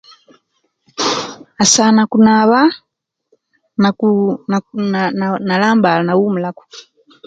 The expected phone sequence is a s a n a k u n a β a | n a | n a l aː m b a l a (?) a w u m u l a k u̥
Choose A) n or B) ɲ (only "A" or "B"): A